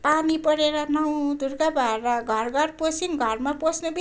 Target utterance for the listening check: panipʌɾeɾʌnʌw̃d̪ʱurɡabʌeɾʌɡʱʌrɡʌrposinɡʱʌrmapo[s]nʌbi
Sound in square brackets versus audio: correct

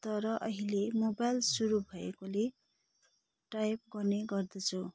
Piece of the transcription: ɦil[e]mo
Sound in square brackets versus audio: correct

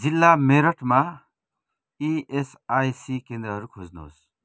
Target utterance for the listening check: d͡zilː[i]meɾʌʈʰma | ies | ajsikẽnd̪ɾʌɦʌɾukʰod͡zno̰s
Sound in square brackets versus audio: incorrect: a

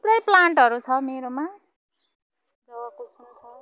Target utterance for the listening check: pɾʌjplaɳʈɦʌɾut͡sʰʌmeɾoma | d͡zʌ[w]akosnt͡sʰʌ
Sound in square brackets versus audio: correct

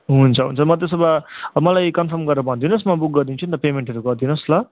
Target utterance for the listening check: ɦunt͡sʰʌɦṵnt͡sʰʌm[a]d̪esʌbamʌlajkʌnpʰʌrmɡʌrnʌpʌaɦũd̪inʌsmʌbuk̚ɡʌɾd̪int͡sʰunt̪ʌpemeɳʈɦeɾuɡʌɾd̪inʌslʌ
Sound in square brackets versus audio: incorrect: ʌ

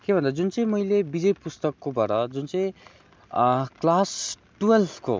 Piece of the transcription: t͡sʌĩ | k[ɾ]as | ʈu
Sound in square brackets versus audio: incorrect: l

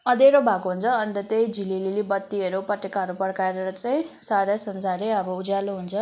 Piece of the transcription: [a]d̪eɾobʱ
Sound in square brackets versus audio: incorrect: ʌ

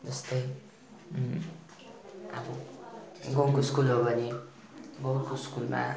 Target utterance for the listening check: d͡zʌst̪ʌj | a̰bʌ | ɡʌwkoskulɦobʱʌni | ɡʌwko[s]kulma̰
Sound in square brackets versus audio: correct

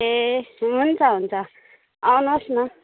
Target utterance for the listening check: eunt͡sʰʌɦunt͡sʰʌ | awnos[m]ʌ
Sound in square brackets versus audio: incorrect: n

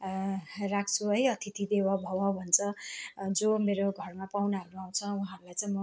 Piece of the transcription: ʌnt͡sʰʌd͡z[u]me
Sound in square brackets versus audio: incorrect: o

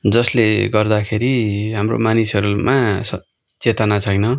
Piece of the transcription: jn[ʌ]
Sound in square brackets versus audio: correct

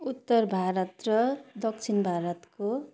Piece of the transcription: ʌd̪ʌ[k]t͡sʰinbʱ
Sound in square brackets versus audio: correct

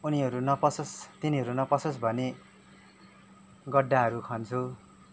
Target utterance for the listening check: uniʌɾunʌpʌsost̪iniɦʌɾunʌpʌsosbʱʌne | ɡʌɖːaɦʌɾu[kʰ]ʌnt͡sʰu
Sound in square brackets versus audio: correct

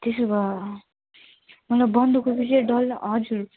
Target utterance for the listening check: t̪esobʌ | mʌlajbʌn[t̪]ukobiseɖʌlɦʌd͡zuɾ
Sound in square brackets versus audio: incorrect: d̪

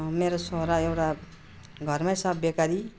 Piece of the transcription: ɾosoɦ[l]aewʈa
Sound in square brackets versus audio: incorrect: ɾ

